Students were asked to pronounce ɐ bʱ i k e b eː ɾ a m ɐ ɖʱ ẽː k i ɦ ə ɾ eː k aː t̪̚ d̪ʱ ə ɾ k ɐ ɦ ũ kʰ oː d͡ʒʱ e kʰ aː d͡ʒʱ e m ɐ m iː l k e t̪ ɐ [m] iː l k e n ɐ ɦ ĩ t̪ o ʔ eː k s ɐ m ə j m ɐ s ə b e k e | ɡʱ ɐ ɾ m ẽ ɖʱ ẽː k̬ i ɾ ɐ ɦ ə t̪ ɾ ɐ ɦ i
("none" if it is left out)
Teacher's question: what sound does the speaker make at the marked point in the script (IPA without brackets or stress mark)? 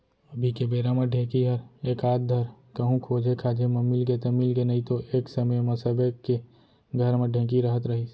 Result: m